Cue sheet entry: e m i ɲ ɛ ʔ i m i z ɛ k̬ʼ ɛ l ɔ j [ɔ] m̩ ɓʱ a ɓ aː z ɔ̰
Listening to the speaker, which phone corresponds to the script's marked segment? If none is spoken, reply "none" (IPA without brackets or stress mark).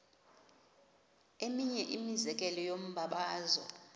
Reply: o